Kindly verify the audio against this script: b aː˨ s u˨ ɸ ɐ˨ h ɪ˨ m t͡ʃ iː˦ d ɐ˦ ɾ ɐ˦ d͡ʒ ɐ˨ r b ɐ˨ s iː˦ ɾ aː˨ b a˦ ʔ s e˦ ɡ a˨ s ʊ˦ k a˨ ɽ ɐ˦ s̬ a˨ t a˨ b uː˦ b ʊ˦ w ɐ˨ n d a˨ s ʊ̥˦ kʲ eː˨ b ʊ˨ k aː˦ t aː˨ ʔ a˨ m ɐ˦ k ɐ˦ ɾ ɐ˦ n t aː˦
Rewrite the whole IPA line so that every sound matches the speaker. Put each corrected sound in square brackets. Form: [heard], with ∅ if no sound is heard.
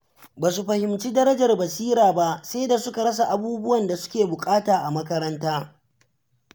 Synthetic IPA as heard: b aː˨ s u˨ ɸ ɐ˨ h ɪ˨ m t͡ʃ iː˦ d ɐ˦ ɾ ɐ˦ d͡ʒ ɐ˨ r b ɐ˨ s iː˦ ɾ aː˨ b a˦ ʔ s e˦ [d] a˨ s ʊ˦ k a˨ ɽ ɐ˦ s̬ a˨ [ʔ] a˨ b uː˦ b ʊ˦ w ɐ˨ n d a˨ s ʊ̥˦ kʲ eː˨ b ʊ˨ [kʼ] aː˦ t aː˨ ʔ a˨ m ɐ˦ k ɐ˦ ɾ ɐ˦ n t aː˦